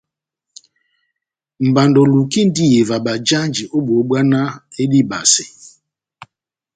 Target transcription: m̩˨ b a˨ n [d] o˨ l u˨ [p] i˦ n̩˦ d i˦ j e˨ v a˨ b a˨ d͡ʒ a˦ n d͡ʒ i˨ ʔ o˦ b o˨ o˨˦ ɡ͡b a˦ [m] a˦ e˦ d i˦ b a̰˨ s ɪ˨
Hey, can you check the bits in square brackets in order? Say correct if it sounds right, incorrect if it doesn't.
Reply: correct, incorrect: k, incorrect: n

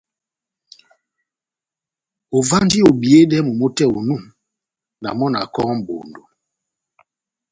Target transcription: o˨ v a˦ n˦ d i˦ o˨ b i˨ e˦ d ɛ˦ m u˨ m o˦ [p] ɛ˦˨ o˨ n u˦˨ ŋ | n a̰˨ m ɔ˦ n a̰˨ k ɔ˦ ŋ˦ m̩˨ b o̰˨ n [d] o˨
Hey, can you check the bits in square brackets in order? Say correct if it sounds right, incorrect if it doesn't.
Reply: incorrect: t, correct

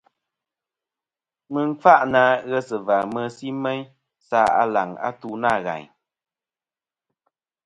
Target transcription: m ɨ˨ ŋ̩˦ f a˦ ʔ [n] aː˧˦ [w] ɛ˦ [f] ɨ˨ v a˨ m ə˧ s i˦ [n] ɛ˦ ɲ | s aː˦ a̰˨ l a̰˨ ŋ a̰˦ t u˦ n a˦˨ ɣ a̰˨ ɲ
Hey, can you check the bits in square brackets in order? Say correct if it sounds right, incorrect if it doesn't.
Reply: correct, incorrect: ɣ, incorrect: s, incorrect: m

